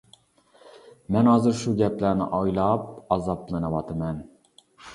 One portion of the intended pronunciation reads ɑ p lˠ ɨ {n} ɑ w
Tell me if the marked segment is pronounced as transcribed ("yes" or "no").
yes